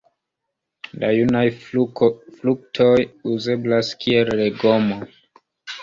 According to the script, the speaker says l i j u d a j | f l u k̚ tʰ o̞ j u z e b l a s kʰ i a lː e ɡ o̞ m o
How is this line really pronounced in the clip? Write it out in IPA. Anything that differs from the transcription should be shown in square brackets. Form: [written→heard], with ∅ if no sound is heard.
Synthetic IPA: l [i→a] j u [d→n] a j | f l u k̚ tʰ o̞ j u z e b l a s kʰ i [a→e] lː e ɡ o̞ m o